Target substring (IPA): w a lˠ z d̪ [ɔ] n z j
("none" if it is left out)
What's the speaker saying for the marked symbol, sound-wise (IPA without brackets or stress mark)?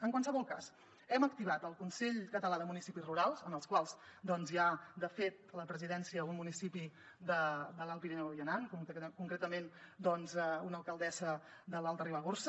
ɔ